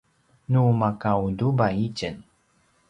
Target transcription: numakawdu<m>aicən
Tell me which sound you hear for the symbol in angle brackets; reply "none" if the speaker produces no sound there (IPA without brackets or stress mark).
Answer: b